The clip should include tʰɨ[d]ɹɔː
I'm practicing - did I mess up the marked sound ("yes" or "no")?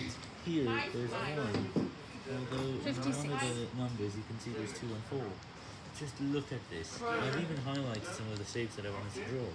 no